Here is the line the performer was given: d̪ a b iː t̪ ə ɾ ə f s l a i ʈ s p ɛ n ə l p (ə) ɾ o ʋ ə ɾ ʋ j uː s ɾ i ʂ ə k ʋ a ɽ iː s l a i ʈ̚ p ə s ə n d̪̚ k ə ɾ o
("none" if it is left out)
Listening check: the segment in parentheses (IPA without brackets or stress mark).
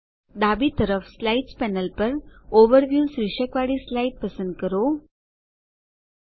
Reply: ə